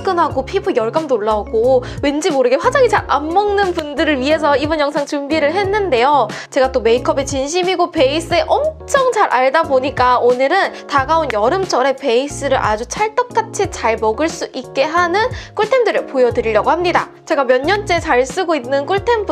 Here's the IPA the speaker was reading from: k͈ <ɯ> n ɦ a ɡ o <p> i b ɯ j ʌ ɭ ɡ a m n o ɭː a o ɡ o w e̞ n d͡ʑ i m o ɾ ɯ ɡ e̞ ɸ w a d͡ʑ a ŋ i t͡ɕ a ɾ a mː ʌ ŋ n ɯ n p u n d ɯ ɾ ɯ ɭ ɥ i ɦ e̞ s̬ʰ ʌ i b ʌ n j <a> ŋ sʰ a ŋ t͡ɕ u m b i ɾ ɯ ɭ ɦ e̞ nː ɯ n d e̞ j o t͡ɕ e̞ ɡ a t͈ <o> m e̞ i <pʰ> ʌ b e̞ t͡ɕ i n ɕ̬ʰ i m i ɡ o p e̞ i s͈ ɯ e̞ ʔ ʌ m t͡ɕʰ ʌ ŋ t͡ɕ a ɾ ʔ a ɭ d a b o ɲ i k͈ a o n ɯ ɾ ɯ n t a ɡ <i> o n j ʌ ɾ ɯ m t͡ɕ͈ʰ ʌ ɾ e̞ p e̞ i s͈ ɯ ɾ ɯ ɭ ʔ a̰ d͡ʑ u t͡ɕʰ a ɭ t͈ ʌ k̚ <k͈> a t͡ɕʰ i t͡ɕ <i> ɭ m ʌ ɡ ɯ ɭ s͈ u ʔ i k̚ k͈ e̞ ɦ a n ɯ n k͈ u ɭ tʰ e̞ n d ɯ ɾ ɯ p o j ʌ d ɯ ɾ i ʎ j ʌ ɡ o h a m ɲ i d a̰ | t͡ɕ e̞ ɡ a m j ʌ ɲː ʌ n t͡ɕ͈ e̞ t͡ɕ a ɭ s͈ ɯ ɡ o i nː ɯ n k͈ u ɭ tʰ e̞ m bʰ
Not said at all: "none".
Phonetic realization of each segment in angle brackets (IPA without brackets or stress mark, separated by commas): ɯ, pʰ, ʌ, o, kʰ, a, k͈, a